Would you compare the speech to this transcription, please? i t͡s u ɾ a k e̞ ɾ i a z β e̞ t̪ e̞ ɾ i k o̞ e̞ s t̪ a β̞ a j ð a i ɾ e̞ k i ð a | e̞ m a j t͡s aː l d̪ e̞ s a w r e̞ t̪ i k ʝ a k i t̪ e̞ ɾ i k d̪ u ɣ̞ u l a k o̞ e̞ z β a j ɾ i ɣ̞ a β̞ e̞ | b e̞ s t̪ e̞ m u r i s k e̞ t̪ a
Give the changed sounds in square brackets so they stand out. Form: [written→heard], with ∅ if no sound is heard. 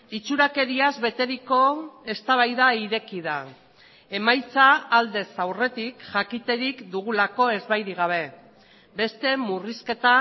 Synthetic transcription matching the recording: i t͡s u ɾ a k e̞ ɾ i a z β e̞ t̪ e̞ ɾ i k o̞ e̞ s t̪ a β̞ a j ð a i ɾ e̞ k i ð a | e̞ m a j t͡s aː l d̪ e̞ s a w r e̞ t̪ i k ʝ a k i t̪ e̞ ɾ i k d̪ u ɣ̞ u l a k o̞ e̞ z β a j ɾ i ɣ̞ a β̞ e̞ | b e̞ s t̪ e̞ m u r i s k e̞ t̪ a